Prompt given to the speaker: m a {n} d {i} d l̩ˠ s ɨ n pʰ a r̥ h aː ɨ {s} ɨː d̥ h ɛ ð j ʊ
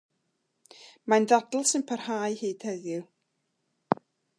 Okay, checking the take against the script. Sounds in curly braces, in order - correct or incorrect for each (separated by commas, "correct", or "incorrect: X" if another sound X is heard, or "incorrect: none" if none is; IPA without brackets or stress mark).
correct, incorrect: a, incorrect: h